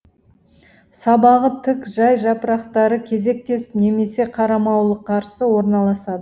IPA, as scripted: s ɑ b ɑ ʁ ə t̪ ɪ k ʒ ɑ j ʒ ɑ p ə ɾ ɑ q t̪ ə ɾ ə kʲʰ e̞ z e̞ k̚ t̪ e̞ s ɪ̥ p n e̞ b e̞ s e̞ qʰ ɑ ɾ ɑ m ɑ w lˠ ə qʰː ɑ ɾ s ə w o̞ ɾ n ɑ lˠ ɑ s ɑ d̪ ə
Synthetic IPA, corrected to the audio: s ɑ b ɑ ʁ ə t̪ʰ ɪ k ʒ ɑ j ʒ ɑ p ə ɾ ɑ q t̪ ɑ ɾ ə kʲʰ e̞ z e̞ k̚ t̪ e̞ s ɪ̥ p n e̞ m e̞ s e̞ qʰ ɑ ɾ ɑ m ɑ w lˠ ə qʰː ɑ ɾ s ə w o̞ ɾ n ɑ lˠ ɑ s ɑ d̪ ə